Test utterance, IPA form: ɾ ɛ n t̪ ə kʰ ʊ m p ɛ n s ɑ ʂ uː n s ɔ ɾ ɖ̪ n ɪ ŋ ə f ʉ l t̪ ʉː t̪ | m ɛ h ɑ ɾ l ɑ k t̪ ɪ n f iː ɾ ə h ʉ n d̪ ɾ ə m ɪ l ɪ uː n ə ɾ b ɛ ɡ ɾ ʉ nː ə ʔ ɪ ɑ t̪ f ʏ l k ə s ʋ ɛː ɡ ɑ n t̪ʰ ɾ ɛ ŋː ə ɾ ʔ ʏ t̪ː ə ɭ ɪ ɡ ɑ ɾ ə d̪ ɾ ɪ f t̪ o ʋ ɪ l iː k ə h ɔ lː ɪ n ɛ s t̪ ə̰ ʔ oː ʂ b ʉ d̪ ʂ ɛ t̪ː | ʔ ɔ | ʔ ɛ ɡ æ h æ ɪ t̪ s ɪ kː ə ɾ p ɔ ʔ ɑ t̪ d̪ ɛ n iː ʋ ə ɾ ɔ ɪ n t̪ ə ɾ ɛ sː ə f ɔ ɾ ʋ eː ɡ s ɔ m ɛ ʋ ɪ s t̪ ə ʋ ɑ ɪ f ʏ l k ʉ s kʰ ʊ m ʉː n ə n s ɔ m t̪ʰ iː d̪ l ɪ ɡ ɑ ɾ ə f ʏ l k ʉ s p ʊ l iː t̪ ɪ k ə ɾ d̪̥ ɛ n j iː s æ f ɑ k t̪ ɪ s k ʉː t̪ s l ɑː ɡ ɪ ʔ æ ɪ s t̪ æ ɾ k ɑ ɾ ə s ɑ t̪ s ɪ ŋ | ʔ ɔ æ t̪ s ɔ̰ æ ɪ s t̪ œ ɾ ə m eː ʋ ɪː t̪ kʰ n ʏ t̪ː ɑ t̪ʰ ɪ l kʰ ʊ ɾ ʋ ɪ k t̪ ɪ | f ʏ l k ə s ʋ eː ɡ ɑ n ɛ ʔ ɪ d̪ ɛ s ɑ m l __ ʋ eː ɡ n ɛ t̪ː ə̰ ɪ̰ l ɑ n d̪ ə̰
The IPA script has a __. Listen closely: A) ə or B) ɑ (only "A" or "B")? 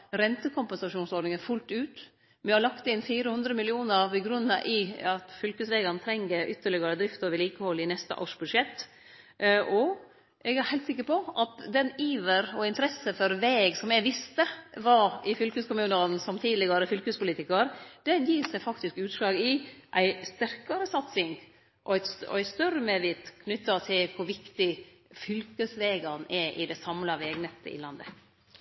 B